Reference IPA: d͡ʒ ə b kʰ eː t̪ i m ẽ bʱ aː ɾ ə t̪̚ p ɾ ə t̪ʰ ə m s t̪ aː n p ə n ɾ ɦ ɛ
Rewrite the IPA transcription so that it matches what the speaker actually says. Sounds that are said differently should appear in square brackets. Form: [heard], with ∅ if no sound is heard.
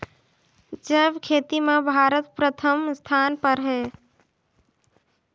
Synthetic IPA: d͡ʒ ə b kʰ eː t̪ i m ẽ bʱ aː ɾ ə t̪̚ p ɾ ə t̪ʰ ə m s [t̪ʰ] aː n p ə [∅] ɾ ɦ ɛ